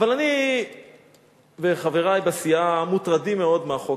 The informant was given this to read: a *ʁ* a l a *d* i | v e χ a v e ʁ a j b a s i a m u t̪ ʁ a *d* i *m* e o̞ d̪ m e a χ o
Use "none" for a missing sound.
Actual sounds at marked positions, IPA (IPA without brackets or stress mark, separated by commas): v, n, d, m